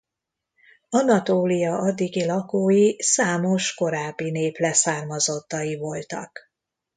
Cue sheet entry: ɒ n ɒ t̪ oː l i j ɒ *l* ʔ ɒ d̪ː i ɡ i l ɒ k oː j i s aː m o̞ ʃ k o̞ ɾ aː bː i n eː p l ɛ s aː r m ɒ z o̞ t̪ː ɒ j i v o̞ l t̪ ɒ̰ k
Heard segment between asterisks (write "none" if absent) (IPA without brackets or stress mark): none